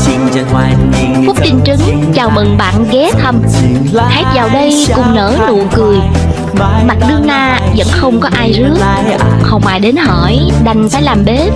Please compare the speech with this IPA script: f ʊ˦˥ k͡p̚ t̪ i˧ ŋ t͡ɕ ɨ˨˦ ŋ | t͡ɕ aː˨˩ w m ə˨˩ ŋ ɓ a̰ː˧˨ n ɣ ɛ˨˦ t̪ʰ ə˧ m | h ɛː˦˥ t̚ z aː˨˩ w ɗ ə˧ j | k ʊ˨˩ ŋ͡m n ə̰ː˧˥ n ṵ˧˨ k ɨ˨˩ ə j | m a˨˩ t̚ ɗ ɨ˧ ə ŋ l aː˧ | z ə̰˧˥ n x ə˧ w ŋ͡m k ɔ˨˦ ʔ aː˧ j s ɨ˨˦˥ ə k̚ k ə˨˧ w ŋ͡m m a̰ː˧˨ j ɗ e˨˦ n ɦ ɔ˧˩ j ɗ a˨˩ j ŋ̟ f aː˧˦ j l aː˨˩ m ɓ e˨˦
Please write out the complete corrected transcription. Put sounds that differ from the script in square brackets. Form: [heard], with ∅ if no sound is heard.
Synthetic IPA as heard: f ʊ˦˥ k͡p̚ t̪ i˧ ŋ t͡ɕ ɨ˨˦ ŋ | t͡ɕ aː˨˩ w m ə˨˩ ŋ ɓ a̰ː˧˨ n ɣ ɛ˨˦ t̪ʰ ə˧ m | h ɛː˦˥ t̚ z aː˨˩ w ɗ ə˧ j | k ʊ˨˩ ŋ͡m n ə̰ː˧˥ n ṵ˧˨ k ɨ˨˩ ə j | m a˨˩ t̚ ɗ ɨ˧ ə ŋ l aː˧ | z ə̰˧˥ n x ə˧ w ŋ͡m k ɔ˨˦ ʔ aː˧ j [z] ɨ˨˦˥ ə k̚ [x] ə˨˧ w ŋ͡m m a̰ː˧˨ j ɗ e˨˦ n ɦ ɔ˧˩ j ɗ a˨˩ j ŋ̟ f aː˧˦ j l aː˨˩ m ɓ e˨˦